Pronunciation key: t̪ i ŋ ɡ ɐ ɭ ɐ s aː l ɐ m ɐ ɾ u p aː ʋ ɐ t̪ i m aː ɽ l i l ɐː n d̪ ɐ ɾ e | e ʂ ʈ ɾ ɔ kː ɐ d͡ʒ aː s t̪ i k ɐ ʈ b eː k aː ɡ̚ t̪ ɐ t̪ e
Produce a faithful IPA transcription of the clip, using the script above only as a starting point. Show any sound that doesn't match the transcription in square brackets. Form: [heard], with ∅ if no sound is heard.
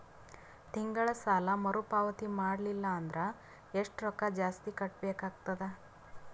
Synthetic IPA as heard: t̪ i ŋ ɡ ɐ ɭ ɐ s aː l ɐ m ɐ ɾ u p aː ʋ ɐ t̪ i m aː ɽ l i [lː] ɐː n d̪ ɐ ɾ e | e ʂ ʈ ɾ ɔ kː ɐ d͡ʒ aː s t̪ i k ɐ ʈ b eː k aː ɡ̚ t̪ ɐ [d̪] e